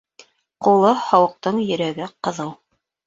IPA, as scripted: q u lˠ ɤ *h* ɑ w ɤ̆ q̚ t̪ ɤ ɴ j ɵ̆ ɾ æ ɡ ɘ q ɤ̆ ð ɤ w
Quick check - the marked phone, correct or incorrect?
correct